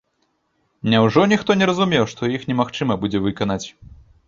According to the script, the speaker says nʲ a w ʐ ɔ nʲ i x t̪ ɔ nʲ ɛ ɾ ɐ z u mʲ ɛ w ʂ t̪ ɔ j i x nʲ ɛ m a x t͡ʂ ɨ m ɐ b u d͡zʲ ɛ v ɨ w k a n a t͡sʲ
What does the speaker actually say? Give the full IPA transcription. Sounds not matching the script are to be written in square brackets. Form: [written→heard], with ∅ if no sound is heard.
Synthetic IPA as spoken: nʲ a w ʐ ɔ nʲ i x t̪ ɔ nʲ ɛ ɾ ɐ z u mʲ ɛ w ʂ t̪ ɔ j i x nʲ ɛ m a x t͡ʂ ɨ m ɐ b u d͡zʲ ɛ v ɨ [w→∅] k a n a t͡sʲ